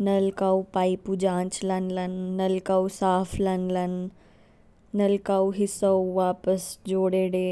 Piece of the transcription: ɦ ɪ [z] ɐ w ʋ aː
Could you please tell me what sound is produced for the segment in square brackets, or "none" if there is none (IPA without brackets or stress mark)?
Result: s